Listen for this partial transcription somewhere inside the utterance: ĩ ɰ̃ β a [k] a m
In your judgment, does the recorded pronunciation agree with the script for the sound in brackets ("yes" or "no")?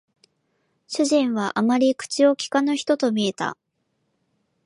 no